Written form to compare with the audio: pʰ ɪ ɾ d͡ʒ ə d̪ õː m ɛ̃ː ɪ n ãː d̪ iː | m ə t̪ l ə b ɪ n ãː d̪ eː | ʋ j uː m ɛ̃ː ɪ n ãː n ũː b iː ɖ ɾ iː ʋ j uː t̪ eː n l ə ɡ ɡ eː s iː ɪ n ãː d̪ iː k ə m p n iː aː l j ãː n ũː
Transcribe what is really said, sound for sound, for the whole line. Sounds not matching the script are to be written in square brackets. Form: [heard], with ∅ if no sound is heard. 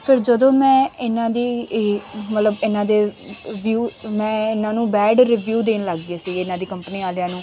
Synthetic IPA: pʰ ɪ ɾ d͡ʒ ə d̪ õː m ɛ̃ː ɪ n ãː d̪ iː | m ə t̪ l ə b ɪ n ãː d̪ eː | ʋ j uː m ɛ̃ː ɪ n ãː n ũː b [ɛː] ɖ ɾ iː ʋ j uː [d̪] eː n l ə ɡ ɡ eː s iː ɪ n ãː d̪ iː k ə m p n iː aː l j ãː n ũː